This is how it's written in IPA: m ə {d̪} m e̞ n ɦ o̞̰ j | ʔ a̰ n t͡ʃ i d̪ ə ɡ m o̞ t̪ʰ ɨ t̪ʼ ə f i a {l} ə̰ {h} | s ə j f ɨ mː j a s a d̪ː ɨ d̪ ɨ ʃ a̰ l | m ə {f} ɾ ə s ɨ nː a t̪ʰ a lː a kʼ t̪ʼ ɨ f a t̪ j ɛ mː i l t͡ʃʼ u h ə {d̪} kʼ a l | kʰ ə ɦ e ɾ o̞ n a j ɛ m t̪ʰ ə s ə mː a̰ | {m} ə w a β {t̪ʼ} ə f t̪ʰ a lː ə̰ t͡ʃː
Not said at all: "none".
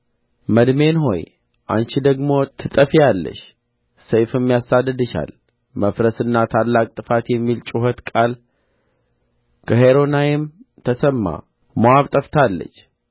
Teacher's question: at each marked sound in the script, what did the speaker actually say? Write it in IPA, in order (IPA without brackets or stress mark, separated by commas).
d̪, lː, ʃ, f, t̪, m, t̪ʼ